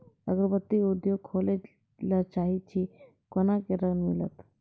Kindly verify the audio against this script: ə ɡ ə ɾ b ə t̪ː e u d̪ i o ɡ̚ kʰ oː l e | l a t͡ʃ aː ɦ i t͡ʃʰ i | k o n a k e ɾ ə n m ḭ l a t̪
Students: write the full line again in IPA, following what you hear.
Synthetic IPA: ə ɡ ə ɾ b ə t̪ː i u d̪ j o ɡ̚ kʰ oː l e | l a t͡ʃ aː ɦ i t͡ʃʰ i | k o n a k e ɾ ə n m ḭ l ə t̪